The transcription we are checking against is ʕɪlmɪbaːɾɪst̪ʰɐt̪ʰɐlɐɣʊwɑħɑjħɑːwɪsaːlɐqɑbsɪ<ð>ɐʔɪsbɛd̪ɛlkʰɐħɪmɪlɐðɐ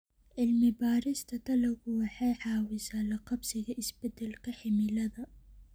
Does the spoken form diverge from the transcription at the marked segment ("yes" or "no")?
yes